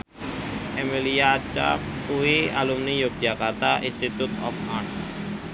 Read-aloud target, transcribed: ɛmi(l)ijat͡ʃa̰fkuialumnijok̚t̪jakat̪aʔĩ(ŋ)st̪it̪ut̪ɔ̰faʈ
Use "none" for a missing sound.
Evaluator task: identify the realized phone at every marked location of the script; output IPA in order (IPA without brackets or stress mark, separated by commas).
l, n